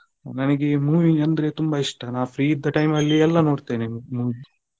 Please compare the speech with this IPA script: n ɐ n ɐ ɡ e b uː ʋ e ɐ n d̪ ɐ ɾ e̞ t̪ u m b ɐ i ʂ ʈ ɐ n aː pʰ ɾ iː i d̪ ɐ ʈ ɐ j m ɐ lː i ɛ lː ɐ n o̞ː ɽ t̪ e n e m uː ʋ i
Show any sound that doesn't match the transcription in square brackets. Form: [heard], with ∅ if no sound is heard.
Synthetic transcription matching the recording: n ɐ n ɐ ɡ e [m] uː ʋ [i] ɐ n d̪ ɐ ɾ e̞ t̪ u m b ɐ i ʂ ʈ ɐ n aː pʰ ɾ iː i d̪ ɐ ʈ ɐ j m ɐ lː i ɛ lː ɐ n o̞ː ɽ t̪ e n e m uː ʋ i